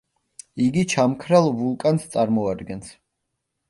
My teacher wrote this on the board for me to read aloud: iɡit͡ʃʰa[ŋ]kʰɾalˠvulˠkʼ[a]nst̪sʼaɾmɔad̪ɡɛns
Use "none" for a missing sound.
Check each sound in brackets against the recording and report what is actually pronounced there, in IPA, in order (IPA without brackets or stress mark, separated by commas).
m, a